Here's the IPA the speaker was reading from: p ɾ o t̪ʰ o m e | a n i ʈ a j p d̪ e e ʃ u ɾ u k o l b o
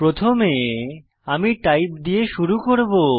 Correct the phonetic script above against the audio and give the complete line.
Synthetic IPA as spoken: p ɾ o t̪ʰ o m e | a m i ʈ a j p d̪ i e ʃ u ɾ u k o ɾ b o